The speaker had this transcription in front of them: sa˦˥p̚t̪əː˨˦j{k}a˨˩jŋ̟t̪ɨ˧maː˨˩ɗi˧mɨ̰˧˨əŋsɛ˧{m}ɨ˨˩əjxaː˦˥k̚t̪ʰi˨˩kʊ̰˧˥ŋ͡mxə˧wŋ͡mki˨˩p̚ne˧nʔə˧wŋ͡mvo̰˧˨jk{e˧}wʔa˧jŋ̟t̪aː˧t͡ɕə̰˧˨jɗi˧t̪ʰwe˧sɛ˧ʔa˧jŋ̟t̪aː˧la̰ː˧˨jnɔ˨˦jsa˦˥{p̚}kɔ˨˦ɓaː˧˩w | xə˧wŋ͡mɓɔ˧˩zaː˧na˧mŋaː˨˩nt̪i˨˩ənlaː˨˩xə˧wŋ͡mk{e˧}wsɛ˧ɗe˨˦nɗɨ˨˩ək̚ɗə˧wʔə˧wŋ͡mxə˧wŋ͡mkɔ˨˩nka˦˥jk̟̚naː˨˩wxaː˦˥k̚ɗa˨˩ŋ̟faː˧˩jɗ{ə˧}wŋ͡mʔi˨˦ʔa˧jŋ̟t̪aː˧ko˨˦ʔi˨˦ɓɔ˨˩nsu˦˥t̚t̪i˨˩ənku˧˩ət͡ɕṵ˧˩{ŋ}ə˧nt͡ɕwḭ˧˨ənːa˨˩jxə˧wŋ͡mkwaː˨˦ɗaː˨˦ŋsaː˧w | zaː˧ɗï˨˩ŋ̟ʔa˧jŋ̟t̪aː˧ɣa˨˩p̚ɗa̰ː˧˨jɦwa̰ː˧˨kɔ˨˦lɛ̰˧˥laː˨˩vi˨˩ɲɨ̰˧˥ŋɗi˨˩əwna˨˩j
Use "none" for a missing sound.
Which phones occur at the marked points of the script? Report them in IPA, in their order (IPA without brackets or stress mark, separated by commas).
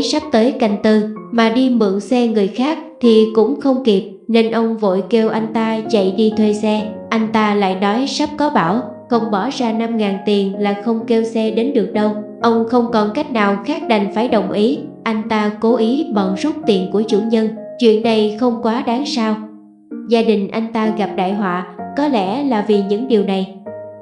k, ŋ, e˧, p̚, e˧, ə˨˩, ɲ